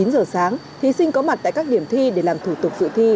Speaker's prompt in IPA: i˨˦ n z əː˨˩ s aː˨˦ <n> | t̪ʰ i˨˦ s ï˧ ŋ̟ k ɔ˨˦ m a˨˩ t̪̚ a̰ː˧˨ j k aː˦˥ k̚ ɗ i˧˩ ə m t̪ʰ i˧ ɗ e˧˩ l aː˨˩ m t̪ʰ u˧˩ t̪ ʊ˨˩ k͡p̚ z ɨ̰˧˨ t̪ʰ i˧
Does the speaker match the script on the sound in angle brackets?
no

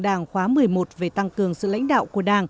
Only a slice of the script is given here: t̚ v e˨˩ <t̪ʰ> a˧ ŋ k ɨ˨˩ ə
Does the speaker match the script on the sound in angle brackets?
no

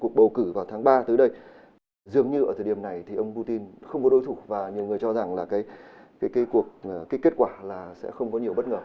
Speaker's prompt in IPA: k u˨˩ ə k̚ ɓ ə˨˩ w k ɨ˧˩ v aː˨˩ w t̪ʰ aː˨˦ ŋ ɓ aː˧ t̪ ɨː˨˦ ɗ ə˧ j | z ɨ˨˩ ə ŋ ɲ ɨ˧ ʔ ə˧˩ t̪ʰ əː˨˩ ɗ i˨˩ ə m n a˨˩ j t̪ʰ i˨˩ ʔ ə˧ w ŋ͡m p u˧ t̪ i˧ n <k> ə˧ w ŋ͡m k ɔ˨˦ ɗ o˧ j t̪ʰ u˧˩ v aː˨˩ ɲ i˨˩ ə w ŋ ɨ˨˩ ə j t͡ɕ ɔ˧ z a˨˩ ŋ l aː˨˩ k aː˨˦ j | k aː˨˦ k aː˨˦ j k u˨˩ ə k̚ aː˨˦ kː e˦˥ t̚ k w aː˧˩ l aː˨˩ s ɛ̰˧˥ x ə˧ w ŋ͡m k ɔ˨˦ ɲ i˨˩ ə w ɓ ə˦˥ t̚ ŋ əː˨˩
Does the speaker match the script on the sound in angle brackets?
no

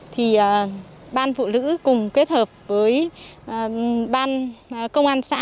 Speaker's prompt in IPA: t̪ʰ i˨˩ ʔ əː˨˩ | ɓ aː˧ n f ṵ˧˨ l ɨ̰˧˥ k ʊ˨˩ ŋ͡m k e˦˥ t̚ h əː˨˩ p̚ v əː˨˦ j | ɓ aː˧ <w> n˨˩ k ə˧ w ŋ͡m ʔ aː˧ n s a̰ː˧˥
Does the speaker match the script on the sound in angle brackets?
no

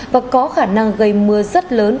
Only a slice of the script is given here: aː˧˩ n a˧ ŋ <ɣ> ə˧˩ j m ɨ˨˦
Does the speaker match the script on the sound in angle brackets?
yes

